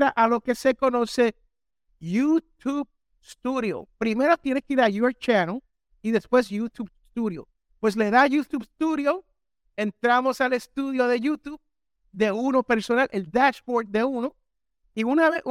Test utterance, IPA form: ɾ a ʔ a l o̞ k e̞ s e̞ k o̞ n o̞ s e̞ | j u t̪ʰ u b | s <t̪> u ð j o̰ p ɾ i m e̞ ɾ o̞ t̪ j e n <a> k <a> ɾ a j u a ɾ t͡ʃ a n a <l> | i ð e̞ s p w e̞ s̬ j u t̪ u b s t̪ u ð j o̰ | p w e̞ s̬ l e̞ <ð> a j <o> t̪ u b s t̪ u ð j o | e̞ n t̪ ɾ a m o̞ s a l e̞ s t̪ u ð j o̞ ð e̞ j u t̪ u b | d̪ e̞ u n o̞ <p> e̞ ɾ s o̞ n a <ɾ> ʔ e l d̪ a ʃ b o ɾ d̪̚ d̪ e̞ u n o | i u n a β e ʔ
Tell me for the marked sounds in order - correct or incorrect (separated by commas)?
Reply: correct, incorrect, incorrect, correct, correct, incorrect, correct, incorrect